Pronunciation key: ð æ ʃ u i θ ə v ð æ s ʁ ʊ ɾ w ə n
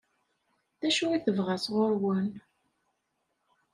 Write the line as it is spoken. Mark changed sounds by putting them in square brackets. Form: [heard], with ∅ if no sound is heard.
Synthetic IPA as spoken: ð æ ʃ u i θ ə v [ʁ] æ s ʁ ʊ ɾ w ə n